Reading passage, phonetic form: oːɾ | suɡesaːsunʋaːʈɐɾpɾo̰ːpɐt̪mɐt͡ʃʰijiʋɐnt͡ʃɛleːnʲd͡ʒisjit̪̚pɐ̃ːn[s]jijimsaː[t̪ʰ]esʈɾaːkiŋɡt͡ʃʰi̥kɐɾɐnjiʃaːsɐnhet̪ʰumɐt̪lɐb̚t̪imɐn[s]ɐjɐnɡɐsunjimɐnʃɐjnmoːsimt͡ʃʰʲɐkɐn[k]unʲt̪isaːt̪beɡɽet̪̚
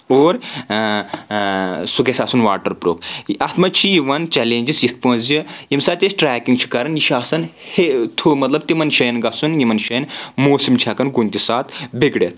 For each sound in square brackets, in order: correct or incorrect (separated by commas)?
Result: incorrect, incorrect, incorrect, incorrect